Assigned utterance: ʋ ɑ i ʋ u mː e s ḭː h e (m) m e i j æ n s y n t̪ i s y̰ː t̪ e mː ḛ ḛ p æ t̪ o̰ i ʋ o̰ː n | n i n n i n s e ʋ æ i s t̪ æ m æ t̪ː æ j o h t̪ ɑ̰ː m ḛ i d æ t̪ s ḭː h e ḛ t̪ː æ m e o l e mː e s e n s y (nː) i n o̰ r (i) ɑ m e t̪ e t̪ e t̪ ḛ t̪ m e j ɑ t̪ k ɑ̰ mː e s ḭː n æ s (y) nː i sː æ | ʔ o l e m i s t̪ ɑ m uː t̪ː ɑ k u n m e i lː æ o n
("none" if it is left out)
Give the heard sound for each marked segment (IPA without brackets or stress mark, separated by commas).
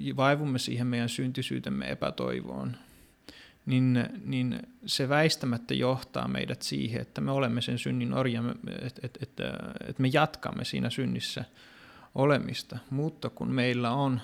m, nː, j, y